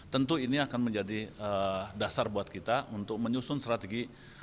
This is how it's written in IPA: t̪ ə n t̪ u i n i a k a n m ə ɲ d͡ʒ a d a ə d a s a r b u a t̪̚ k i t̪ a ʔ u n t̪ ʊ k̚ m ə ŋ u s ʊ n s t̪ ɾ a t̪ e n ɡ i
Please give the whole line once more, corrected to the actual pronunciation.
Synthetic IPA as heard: t̪ ə n t̪ u i n i a k a n m ə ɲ d͡ʒ a d i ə d a s a r b u a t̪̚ k i t̪ a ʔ u n t̪ ʊ k̚ m ə ɲ u s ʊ n s t̪ ɾ a t̪ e ɡ i